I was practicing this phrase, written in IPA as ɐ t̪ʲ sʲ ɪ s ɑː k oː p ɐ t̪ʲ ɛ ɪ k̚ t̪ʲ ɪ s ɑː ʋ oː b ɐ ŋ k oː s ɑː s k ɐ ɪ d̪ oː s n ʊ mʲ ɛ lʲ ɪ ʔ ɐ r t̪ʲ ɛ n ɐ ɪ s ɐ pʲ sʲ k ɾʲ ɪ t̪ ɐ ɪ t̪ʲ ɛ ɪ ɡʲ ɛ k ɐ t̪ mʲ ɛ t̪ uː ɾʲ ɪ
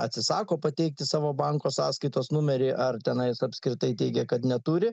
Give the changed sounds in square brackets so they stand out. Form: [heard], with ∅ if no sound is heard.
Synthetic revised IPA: ɐ t̪ʲ sʲ ɪ s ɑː k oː p ɐ t̪ʲ ɛ ɪ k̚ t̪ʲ ɪ s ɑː ʋ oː b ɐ ŋ k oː s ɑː s k ɐ ɪ [t̪] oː s n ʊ mʲ ɛ [ɾʲ] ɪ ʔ ɐ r t̪ʲ ɛ n ɐ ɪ s ɐ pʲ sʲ k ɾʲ ɪ t̪ ɐ ɪ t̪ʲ ɛ ɪ ɡʲ ɛ k ɐ t̪ [nʲ] ɛ t̪ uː ɾʲ ɪ